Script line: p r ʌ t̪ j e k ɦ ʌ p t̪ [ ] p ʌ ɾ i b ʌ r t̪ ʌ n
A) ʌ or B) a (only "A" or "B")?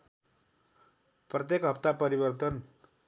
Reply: B